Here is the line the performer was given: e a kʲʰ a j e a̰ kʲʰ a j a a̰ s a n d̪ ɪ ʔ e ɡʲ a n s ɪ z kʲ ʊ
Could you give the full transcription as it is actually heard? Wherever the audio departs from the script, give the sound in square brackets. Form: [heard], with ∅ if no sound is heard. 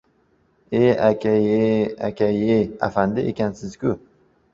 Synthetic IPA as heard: e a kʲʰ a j e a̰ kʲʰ a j [e] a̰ [f] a n d̪ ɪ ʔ e [kʲ] a n s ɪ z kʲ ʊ